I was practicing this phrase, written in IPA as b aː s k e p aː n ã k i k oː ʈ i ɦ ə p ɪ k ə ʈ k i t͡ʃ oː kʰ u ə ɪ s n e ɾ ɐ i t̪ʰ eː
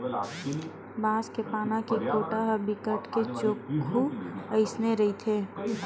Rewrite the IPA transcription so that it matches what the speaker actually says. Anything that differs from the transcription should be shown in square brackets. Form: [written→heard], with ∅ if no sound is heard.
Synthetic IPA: b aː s k e p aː n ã k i k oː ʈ [i→a] ɦ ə [p→b] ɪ k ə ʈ k [i→e] t͡ʃ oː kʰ u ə ɪ s n e ɾ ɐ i t̪ʰ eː

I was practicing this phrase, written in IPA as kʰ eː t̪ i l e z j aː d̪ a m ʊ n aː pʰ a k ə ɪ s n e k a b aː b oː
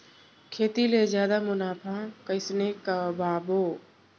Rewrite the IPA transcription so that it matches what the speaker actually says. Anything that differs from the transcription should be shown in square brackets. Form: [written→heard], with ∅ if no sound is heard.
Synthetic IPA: kʰ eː t̪ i l e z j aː d̪ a m ʊ n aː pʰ a k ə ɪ s n e k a b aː b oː

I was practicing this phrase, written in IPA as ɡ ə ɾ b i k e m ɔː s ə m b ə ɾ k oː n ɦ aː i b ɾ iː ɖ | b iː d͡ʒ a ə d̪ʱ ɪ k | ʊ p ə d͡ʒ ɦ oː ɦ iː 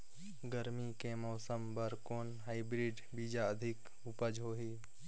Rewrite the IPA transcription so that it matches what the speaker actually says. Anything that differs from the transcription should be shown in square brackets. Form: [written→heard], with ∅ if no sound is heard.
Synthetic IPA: ɡ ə ɾ [b→m] i k e m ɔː s ə m b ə ɾ k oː n ɦ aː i b ɾ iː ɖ | b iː d͡ʒ a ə d̪ʱ ɪ k | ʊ p ə d͡ʒ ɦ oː ɦ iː

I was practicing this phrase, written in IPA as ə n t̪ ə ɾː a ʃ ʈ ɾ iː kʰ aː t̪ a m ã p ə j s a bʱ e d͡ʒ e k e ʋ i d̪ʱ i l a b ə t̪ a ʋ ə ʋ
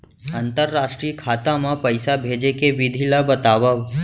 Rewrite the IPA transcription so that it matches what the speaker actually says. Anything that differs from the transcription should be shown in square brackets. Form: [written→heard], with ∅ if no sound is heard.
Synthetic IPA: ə n t̪ ə ɾː a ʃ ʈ ɾ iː kʰ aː t̪ a m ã p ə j s a bʱ e d͡ʒ e k e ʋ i d̪ʱ i l a b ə t̪ a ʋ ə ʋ

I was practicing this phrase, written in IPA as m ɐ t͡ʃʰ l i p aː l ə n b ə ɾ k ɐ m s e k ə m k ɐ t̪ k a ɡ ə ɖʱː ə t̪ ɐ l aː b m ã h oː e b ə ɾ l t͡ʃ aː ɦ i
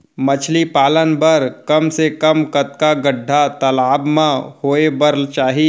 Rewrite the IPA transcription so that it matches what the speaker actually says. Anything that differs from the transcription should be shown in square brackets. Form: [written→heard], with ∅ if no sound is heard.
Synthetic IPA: m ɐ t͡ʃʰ l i p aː l ə n b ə ɾ k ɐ m s e k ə m k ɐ t̪ k a ɡ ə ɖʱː [ə→a] t̪ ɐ l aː b m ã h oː e b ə ɾ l t͡ʃ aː ɦ i

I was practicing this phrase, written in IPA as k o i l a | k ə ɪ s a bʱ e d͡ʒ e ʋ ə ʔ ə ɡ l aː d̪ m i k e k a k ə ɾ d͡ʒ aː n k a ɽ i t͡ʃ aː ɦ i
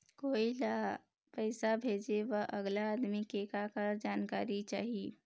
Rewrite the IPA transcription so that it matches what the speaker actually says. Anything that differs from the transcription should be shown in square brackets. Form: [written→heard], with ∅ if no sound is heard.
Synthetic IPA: k o i l a | [k→p] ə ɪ s a bʱ e d͡ʒ e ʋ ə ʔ ə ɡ l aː d̪ m i k e k a k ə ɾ d͡ʒ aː n k a [ɽ→ɾ] i t͡ʃ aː ɦ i

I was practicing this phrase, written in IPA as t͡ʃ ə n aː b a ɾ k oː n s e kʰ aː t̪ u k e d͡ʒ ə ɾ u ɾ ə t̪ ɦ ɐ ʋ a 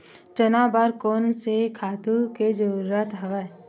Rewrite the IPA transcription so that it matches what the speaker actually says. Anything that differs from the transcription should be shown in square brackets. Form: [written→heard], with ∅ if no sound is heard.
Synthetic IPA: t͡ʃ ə n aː b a ɾ k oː n s e kʰ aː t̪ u k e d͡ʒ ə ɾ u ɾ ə t̪ ɦ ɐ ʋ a

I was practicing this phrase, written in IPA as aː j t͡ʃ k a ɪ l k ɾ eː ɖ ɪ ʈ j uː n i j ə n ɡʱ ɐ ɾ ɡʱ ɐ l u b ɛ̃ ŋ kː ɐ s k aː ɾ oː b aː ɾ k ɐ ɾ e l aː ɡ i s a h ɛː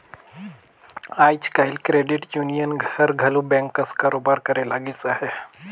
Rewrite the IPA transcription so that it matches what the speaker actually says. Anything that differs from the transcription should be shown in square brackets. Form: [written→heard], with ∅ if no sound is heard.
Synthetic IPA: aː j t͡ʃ k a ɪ l k ɾ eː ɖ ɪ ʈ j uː n i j ə n ɡʱ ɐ ɾ ɡʱ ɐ l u b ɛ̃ ŋ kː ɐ s k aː ɾ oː b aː ɾ k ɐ ɾ e l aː ɡ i s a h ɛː

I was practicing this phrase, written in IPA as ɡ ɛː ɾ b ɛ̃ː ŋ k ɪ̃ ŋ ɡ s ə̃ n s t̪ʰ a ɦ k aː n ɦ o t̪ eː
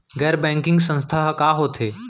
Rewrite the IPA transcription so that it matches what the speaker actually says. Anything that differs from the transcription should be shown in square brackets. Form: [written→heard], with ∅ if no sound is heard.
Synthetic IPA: ɡ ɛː ɾ b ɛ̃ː ŋ k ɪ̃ ŋ ɡ s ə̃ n s t̪ʰ a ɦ k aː [n→∅] ɦ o [t̪→t̪ʰ] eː

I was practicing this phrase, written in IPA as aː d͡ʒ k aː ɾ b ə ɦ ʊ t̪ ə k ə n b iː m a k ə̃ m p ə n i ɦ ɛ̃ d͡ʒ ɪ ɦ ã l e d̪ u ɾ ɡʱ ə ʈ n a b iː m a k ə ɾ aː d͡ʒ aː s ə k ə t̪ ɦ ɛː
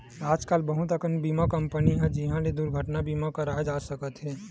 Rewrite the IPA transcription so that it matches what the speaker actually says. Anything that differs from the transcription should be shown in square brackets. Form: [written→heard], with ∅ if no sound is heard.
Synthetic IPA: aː d͡ʒ k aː [ɾ→l] b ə ɦ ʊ t̪ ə k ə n b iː m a k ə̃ m p ə n i ɦ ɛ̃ d͡ʒ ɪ ɦ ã l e d̪ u ɾ ɡʱ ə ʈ n a b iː m a k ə ɾ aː d͡ʒ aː s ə k ə t̪ ɦ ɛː

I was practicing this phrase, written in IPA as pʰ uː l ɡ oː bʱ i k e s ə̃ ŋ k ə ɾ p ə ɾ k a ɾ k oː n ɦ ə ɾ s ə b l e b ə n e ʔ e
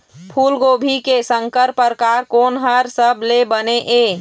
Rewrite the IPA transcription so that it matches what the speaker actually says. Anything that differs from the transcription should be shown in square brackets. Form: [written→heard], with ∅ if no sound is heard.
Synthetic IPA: pʰ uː l ɡ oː bʱ i k e s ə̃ ŋ k ə ɾ p ə ɾ k a ɾ k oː n ɦ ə ɾ s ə b l e b ə n e ʔ e

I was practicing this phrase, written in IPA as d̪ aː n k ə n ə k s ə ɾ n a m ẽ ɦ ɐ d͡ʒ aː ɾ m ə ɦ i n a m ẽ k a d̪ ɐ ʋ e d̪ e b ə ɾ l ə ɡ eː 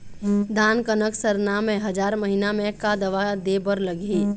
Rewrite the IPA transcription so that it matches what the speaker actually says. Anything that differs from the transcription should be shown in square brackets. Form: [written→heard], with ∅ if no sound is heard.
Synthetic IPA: d̪ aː n k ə n ə k s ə ɾ n a m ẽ ɦ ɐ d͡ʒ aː ɾ m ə ɦ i n a m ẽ k a d̪ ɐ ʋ [e→a] d̪ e b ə ɾ l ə ɡ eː

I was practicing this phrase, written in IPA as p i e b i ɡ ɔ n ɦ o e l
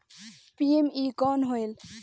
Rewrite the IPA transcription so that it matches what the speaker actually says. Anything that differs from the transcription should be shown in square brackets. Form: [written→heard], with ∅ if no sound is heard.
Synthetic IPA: p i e [b→m] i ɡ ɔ n ɦ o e l

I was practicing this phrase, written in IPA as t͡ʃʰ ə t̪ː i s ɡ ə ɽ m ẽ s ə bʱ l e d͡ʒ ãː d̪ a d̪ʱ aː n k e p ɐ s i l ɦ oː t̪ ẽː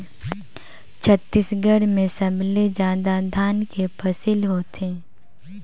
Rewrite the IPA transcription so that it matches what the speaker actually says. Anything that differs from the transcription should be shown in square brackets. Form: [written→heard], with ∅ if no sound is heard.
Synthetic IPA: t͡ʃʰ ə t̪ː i s ɡ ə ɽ m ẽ s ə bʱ l e d͡ʒ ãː d̪ a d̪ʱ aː n k e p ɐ s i l ɦ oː t̪ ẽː

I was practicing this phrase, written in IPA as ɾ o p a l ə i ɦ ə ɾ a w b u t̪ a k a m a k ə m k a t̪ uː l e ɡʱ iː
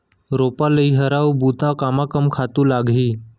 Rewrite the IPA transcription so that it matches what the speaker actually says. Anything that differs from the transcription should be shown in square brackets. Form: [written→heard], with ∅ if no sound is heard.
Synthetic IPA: ɾ o p a l ə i ɦ ə ɾ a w b u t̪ a k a m a k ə m [k→kʰ] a t̪ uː l [e→a] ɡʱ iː

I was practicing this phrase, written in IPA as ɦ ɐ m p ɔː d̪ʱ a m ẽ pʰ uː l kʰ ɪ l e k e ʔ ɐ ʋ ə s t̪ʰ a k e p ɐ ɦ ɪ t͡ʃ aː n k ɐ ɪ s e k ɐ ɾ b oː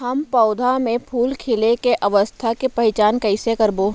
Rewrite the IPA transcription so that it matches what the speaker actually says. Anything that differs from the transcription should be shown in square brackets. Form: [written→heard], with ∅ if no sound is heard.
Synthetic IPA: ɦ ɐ m p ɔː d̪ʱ a m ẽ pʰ uː l kʰ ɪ l e k e ʔ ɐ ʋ ə s t̪ʰ a k e p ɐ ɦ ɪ t͡ʃ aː n k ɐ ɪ s e k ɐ ɾ b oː

